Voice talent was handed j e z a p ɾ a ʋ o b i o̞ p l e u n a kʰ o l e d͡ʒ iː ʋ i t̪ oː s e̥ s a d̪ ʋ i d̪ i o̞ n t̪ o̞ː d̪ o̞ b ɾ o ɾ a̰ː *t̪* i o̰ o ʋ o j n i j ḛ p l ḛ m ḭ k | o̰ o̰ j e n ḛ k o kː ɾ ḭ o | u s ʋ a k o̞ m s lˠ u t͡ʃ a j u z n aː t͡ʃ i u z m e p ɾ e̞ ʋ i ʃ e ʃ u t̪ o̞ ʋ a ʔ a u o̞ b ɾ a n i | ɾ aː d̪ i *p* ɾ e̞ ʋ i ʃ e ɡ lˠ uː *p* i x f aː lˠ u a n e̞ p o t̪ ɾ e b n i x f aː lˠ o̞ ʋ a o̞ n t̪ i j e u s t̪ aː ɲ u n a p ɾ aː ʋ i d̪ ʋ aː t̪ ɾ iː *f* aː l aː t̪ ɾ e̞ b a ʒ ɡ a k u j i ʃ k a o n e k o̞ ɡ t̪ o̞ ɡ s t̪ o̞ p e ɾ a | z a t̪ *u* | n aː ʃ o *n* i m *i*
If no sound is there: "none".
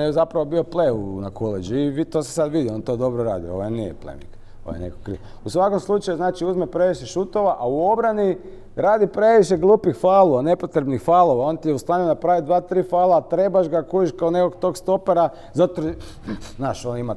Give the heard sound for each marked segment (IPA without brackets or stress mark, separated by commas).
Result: d̪, p, p, f, o, n, a